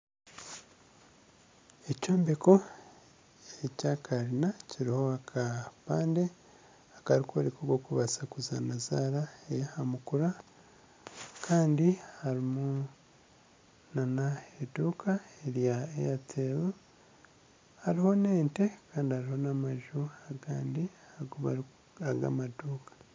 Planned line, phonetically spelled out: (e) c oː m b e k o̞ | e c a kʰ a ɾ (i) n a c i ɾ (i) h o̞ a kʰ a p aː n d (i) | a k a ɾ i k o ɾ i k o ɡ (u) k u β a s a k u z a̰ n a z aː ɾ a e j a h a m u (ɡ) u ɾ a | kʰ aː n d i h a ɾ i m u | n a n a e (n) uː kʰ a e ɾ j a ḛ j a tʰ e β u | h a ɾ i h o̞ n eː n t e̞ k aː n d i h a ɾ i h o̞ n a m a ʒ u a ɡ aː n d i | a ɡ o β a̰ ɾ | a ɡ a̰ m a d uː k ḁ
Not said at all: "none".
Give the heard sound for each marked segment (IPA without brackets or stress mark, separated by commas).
e, i, i, e, o, k, d